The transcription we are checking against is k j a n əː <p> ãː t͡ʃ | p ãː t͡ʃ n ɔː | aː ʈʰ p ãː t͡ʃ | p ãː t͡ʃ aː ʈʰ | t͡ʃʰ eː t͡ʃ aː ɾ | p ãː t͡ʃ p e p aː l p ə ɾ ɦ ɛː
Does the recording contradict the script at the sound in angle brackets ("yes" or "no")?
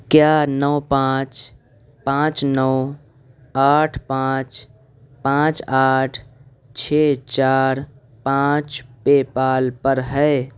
no